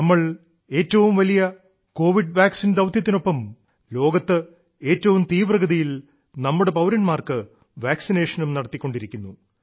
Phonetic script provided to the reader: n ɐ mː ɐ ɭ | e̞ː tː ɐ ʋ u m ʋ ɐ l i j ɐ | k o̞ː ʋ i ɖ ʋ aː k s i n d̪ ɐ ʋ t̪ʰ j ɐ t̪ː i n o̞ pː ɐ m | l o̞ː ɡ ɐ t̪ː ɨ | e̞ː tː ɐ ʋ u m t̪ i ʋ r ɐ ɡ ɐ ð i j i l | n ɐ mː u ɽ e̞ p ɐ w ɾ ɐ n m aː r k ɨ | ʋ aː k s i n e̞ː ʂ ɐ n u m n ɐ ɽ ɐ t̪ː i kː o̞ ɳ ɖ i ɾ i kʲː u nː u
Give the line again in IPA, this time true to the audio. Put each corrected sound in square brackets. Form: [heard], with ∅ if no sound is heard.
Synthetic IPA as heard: n ɐ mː ɐ ɭ | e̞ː tː ɐ ʋ u m ʋ ɐ l i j ɐ | k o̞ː ʋ i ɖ ʋ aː k s i n d̪ ɐ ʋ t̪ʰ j ɐ t̪ː i n o̞ pː ɐ m | l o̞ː ɡ ɐ t̪ː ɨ | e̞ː tː ɐ ʋ u m t̪ [iː] ʋ r ɐ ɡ ɐ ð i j i l | n ɐ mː u ɽ e̞ p ɐ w ɾ ɐ n m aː r k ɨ | ʋ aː k s i n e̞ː ʂ ɐ n u m n ɐ ɽ ɐ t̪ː i kː o̞ ɳ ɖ i ɾ i kʲː u nː u

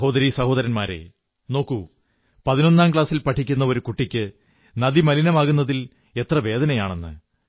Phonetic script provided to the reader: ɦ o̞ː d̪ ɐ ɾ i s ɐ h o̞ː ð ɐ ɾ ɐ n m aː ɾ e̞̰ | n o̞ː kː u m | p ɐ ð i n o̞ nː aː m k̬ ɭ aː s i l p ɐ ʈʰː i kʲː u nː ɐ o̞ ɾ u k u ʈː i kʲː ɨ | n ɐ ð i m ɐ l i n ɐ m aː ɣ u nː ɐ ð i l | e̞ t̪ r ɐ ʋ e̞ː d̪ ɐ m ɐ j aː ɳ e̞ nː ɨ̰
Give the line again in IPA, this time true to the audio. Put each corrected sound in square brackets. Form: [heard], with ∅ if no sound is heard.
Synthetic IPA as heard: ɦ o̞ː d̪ ɐ ɾ i s ɐ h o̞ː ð ɐ ɾ ɐ n m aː ɾ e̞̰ | n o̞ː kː u [∅] | p ɐ ð i n o̞ nː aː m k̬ ɭ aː s i l p ɐ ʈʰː i kʲː u nː ɐ o̞ ɾ u k u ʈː i kʲː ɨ | n ɐ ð i m ɐ l i n ɐ m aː ɣ u nː ɐ ð i l | e̞ t̪ r ɐ ʋ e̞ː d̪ ɐ [n] ɐ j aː ɳ e̞ nː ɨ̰

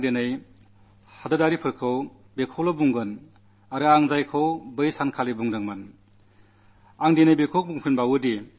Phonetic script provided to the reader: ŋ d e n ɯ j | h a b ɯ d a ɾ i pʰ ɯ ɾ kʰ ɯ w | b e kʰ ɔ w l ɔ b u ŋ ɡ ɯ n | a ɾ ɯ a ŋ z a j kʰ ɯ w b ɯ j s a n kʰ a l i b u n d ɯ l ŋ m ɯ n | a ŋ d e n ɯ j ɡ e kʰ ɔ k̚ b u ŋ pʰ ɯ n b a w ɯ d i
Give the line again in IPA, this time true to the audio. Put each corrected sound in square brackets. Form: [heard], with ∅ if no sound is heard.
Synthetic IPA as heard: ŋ d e n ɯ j | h a [d] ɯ d a ɾ i pʰ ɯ ɾ kʰ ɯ w | b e kʰ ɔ w l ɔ b u ŋ ɡ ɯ n | a ɾ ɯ a ŋ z a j kʰ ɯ w b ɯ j s a n kʰ a l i b u [ŋ] d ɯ [∅] ŋ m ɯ n | a ŋ d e n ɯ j [b] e kʰ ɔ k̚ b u ŋ pʰ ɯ n b a w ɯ d i

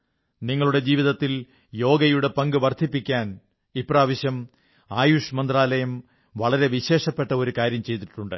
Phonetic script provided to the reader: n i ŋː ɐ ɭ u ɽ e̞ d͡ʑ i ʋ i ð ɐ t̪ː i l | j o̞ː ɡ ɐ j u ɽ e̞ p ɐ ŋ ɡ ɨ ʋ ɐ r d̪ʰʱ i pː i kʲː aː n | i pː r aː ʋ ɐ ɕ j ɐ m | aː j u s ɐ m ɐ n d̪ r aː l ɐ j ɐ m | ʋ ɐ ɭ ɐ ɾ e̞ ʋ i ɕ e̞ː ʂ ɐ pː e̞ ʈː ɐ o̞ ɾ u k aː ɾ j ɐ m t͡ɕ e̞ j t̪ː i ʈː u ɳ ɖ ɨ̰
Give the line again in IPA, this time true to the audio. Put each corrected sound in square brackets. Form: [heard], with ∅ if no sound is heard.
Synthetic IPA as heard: n i ŋː ɐ ɭ u ɽ e̞ d͡ʑ [iː] ʋ i ð ɐ t̪ː i l | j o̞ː ɡ ɐ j u ɽ e̞ p ɐ ŋ ɡ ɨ ʋ ɐ r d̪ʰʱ i pː i kʲː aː n | i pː r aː ʋ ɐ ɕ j ɐ m | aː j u [ʂ] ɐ m ɐ n d̪ r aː l ɐ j ɐ m | ʋ ɐ ɭ ɐ ɾ e̞ ʋ i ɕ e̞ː ʂ ɐ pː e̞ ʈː ɐ o̞ ɾ u k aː ɾ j ɐ m t͡ɕ e̞ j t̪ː i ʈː u ɳ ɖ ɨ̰

